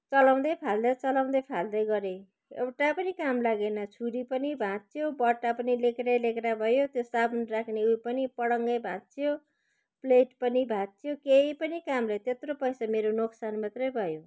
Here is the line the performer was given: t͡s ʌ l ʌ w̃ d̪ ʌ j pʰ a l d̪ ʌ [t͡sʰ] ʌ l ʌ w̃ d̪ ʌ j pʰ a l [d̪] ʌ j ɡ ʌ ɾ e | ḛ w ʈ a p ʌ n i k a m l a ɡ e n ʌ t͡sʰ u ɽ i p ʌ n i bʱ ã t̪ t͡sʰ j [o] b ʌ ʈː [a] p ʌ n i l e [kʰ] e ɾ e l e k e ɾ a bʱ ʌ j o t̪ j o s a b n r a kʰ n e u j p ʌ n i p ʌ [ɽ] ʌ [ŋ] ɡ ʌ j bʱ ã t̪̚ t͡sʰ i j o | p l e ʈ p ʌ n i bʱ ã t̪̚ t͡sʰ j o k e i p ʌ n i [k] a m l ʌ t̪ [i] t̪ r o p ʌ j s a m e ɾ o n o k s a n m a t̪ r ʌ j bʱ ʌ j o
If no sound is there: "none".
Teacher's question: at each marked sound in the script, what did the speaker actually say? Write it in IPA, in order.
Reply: t͡s, d̪, o, a, k, ɽ, ŋ, k, e

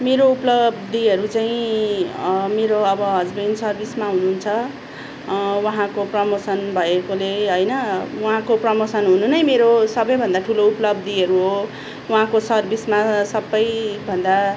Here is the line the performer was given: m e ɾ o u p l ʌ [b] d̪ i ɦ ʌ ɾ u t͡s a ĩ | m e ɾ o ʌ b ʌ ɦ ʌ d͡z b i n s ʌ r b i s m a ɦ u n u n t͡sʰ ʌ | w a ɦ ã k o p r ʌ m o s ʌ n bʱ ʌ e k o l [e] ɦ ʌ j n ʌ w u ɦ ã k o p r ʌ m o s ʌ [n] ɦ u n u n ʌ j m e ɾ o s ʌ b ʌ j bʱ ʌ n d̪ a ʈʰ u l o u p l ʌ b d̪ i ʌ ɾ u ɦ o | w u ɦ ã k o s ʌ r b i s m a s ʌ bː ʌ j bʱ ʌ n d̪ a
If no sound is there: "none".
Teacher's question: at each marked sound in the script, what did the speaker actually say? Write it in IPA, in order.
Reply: b, e, n

